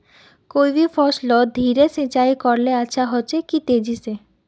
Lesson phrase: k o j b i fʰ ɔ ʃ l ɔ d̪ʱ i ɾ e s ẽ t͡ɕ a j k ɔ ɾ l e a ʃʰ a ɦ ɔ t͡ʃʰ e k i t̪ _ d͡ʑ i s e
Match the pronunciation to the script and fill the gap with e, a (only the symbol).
e